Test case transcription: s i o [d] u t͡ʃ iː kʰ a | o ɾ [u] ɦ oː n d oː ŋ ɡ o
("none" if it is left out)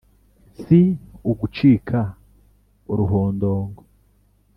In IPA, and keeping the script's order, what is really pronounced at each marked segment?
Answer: ɡ, u

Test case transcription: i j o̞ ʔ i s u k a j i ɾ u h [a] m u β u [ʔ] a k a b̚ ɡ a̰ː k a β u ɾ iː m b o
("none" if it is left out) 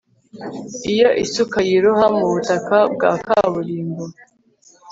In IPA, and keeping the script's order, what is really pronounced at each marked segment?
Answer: a, t

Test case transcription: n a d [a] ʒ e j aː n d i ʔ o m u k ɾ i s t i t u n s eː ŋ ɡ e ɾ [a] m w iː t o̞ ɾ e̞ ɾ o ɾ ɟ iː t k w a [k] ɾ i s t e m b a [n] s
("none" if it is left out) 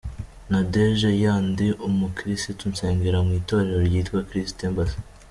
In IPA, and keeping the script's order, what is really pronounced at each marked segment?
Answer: e, a, k, none

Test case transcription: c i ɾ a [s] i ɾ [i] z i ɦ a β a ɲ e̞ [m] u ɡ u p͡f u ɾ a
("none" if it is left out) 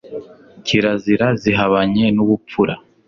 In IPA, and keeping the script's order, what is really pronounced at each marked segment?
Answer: z, a, n

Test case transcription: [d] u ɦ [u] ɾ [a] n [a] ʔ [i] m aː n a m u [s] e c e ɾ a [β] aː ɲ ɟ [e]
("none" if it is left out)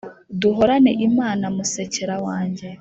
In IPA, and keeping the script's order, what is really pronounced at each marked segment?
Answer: d, o, a, e, i, s, w, e

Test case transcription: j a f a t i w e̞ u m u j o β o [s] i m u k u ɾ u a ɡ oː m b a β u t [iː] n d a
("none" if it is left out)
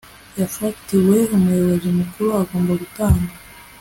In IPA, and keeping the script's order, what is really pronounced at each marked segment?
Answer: z, aː

